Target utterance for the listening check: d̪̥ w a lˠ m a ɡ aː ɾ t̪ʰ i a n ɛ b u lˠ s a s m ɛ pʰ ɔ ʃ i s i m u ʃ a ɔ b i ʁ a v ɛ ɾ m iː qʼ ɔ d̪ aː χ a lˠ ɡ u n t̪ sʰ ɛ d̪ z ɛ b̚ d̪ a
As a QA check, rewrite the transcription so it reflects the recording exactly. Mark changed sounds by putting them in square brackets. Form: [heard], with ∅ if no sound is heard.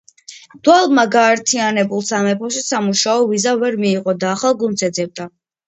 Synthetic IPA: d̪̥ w a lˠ m a ɡ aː ɾ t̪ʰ i a n ɛ b u lˠ s a [∅] m ɛ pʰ ɔ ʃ i s [a] m u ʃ a ɔ [v] i [z] a v ɛ ɾ m iː qʼ ɔ d̪ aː χ a lˠ ɡ u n t̪ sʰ ɛ d̪ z ɛ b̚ d̪ a